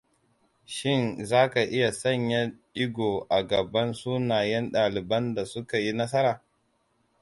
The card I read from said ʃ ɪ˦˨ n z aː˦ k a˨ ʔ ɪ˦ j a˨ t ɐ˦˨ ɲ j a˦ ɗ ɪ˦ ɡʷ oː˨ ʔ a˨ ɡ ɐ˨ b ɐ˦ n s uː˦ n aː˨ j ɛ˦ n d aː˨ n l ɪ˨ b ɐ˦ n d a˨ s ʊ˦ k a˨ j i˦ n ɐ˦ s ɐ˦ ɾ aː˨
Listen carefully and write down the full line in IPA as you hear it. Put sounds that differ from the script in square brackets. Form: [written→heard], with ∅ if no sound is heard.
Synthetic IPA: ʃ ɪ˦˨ n z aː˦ k a˨ ʔ ɪ˦ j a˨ [t→s] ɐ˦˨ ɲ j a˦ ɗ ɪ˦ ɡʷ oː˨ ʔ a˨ ɡ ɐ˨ b ɐ˦ n s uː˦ n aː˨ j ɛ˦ n [d→ɗ] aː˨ [n→∅] l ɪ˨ b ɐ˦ n d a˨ s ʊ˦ k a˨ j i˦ n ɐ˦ s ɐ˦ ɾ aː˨